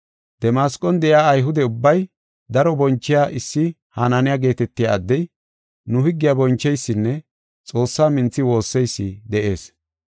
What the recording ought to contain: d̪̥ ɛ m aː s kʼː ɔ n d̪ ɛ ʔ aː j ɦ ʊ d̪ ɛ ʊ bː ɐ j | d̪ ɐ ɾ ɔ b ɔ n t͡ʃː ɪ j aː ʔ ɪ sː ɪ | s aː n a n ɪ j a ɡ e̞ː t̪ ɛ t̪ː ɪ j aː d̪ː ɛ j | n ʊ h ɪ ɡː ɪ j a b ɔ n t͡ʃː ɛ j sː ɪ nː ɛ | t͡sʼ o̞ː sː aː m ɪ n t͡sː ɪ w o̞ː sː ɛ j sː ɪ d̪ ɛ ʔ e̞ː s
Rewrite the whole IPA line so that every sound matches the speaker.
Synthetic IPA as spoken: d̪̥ ɛ m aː s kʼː ɔ n d̪ ɛ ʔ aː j ɦ ʊ d̪ ɛ ʊ bː ɐ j | d̪ ɐ ɾ ɔ b ɔ n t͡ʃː ɪ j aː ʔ ɪ sː ɪ | h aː n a n ɪ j a ɡ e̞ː t̪ ɛ t̪ː ɪ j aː d̪ː ɛ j | n ʊ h ɪ ɡː ɪ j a b ɔ n t͡ʃː ɛ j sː ɪ nː ɛ | t͡sʼ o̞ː sː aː m ɪ n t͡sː ɪ w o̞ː sː ɛ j sː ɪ d̪ ɛ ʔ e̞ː s